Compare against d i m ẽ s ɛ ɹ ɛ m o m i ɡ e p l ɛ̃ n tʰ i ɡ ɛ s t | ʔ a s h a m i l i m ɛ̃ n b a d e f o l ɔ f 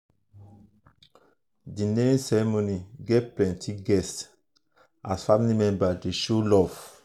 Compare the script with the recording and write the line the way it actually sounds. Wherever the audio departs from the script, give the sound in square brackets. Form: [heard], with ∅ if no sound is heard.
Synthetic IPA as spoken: d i [n] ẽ s ɛ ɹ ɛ m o [n] i ɡ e p l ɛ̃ n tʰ i ɡ ɛ s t | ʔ a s [f] a m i l i m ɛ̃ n b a d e [ʃ] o l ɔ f